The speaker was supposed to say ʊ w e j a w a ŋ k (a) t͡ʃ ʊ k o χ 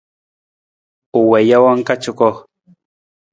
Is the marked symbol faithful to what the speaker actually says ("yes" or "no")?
yes